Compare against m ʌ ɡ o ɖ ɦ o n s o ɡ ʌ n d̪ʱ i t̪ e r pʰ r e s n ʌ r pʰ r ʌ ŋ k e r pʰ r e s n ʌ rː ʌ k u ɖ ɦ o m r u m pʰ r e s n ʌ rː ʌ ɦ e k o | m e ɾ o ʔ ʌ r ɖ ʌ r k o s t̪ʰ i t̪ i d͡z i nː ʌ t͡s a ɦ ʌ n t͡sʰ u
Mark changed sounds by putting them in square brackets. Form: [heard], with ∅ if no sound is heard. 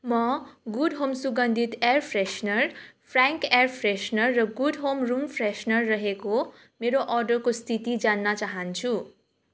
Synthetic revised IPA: m ʌ ɡ [u] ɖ ɦ o [m] s [u] ɡ ʌ n d̪ʱ i t̪ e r pʰ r e s n ʌ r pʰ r [a] ŋ k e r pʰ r e s n ʌ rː ʌ [ɡ] u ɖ ɦ o m r u m pʰ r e s n ʌ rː ʌ ɦ e k o | m e ɾ o ʔ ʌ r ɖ ʌ r k o s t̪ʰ i t̪ i d͡z [a] nː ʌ t͡s a ɦ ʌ n t͡sʰ u